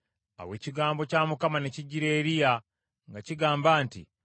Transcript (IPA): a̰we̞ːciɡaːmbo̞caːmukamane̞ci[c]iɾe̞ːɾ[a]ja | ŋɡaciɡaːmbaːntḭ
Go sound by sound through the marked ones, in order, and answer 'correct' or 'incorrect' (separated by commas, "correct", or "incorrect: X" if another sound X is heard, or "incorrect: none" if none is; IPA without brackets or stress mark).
incorrect: ɟ, incorrect: i